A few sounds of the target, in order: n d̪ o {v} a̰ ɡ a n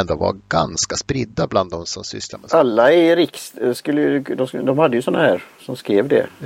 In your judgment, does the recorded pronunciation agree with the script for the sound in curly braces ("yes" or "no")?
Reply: yes